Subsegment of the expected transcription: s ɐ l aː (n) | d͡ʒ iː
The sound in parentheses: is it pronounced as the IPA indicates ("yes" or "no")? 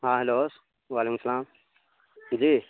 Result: no